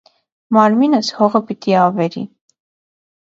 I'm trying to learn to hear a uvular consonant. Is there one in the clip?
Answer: yes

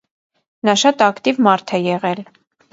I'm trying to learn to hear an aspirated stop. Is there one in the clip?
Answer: yes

